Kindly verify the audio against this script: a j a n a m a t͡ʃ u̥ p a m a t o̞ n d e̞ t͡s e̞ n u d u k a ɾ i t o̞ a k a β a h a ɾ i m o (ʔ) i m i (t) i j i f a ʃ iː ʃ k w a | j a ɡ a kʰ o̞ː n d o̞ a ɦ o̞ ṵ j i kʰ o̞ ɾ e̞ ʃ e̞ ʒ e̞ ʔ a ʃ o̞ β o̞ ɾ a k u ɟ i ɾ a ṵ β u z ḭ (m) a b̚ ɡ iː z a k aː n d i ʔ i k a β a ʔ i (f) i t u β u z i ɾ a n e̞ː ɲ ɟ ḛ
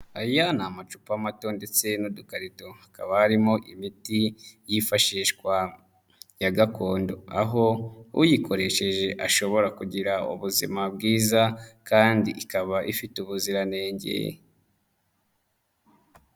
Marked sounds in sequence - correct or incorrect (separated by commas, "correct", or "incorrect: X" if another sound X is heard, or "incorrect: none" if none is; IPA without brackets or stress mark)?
correct, correct, correct, correct